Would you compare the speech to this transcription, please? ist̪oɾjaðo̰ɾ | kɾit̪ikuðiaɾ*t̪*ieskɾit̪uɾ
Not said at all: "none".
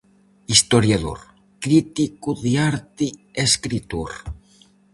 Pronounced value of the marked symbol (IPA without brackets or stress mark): t̪